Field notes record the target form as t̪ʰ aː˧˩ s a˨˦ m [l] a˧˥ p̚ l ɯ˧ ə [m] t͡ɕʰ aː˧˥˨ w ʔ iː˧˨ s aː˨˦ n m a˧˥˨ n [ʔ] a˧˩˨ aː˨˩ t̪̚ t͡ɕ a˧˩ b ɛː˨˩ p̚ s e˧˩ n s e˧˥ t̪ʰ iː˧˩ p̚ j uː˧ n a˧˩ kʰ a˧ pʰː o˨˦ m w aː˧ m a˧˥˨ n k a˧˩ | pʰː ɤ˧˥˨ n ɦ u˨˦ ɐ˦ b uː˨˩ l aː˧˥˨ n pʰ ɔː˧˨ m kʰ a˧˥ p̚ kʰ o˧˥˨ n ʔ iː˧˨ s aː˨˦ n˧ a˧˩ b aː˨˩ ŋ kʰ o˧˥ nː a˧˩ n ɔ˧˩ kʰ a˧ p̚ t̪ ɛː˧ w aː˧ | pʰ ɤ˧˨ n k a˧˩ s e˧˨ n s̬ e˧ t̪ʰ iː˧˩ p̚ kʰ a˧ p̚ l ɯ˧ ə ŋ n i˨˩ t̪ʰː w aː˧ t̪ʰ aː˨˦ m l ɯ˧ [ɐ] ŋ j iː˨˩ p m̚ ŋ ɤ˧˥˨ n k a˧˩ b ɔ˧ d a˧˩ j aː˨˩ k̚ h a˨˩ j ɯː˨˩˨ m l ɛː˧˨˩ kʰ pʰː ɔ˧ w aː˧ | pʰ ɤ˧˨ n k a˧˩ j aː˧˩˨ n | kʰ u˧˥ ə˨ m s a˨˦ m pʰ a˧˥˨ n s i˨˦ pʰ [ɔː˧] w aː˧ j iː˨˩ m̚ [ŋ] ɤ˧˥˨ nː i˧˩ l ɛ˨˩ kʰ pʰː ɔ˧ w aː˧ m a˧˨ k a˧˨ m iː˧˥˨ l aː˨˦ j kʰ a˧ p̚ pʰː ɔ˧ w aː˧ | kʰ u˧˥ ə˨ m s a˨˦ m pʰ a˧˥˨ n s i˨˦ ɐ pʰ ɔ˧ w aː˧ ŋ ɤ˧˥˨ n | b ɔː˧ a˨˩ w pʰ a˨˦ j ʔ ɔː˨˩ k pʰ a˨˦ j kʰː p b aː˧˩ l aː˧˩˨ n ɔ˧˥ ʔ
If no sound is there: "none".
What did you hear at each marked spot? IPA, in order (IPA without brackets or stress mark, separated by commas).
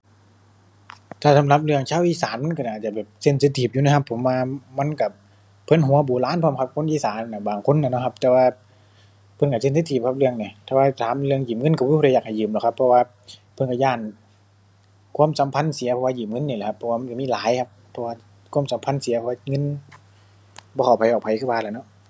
l, ŋ, k, ə, ɔ˧, ŋ